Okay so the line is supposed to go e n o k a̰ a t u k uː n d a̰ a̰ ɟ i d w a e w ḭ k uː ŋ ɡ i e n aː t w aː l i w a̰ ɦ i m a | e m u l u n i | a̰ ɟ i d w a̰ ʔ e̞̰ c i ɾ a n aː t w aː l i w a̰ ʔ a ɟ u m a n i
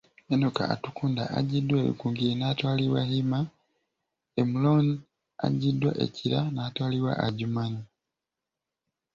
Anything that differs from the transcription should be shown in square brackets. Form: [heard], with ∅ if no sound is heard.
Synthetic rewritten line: e n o k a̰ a t u k uː n d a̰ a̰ ɟ i d w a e [β] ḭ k uː ŋ ɡ i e n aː t w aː l i w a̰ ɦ i m a | e m u l [o] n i | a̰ ɟ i d w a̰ ʔ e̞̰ c i ɾ a n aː t w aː l i w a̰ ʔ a ɟ u m a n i